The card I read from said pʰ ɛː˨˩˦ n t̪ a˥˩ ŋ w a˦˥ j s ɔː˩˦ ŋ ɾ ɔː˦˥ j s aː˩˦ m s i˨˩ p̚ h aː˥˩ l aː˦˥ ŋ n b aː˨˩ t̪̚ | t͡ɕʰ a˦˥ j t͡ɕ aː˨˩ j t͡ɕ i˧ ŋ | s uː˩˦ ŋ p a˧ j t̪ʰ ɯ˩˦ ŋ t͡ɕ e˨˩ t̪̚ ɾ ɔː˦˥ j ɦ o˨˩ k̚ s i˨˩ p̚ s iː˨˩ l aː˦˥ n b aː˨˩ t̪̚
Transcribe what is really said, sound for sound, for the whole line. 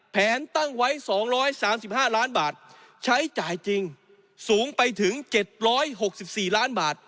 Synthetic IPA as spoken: pʰ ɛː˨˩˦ n t̪ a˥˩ ŋ w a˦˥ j s ɔː˩˦ ŋ ɾ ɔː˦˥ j s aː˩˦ m s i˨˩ p̚ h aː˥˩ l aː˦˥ n b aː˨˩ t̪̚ | t͡ɕʰ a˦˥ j t͡ɕ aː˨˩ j t͡ɕ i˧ ŋ | s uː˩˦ ŋ p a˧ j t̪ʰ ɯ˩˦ ŋ t͡ɕ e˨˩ t̪̚ ɾ ɔː˦˥ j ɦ o˨˩ k̚ s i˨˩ p̚ s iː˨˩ l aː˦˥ n b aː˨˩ t̪̚